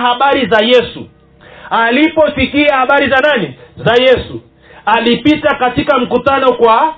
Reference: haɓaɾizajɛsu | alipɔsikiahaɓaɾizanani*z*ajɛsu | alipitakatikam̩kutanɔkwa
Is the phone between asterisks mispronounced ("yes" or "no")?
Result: no